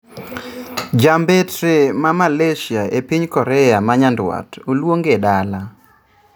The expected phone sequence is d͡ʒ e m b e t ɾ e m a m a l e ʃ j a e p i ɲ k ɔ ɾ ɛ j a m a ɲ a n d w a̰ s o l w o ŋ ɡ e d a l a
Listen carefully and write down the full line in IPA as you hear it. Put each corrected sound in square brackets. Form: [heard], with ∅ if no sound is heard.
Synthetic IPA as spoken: d͡ʒ [a] m b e t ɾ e m a m a l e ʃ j a e p i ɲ k ɔ ɾ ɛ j a m a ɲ a n d w a̰ [t] o l w o ŋ ɡ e d a l a